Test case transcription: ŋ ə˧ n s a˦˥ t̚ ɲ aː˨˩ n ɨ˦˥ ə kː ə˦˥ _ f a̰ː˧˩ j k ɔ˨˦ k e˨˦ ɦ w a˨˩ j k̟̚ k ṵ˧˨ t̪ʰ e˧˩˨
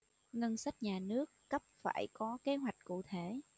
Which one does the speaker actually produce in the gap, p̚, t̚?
p̚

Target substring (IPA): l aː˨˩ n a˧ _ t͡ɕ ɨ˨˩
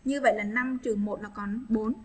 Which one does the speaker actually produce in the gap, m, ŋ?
m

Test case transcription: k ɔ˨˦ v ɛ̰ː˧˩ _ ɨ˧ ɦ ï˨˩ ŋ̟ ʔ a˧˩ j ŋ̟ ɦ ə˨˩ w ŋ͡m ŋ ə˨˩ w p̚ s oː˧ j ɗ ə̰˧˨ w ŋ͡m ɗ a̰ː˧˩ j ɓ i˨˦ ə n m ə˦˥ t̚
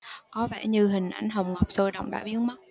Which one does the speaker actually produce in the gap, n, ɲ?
ɲ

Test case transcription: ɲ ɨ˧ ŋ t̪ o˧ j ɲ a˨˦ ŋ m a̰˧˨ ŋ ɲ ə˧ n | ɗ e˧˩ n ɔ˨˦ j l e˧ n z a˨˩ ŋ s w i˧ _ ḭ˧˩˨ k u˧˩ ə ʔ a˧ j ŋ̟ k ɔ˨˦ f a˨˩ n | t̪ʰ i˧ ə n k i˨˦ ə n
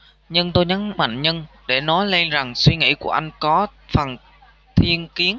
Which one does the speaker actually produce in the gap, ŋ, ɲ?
ŋ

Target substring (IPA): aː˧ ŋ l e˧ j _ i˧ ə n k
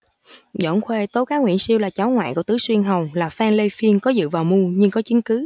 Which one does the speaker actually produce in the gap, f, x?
f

